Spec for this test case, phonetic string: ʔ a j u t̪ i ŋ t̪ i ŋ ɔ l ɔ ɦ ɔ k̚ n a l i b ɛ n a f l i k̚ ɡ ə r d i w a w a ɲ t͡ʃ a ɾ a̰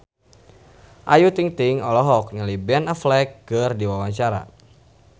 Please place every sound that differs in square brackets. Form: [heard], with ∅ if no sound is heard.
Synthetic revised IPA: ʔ a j u t̪ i ŋ t̪ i ŋ ɔ l ɔ ɦ ɔ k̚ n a l i b ɛ n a f l [ɛ] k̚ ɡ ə r d i w a w a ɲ t͡ʃ a ɾ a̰